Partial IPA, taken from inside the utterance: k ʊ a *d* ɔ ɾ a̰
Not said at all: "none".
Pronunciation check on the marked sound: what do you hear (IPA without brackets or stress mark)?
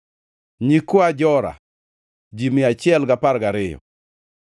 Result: d͡ʒ